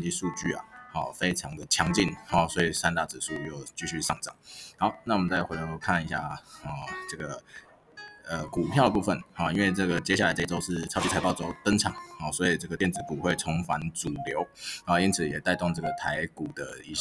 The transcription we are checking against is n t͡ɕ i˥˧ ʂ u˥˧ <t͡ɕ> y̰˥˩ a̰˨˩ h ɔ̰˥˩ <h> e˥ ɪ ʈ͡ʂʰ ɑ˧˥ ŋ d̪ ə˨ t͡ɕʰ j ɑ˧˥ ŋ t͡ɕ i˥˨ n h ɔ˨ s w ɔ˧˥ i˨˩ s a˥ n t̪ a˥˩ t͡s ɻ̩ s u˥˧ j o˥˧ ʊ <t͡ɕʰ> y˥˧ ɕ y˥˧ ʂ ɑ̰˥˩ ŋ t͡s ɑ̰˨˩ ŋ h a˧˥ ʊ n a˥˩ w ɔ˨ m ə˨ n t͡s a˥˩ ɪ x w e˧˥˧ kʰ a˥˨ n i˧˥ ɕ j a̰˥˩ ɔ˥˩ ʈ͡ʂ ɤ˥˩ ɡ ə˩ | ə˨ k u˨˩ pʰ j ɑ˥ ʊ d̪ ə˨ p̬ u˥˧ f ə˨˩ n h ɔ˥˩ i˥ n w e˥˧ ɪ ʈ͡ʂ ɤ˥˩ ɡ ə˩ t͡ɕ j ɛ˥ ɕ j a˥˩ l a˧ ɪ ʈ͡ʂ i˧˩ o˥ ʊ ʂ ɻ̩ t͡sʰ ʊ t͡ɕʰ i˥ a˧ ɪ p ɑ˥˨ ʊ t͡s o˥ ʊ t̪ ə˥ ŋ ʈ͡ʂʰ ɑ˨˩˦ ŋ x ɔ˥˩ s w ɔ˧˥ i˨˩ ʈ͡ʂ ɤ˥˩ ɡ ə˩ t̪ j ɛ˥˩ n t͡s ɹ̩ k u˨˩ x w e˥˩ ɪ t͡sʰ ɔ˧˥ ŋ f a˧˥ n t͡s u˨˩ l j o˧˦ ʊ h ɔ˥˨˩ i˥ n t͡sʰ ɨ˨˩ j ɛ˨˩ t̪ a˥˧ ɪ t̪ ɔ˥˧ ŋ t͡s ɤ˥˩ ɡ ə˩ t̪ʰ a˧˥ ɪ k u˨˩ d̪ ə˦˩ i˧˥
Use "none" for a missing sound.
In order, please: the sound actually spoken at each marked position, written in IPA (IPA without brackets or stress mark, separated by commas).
t͡ɕ, f, t͡ɕ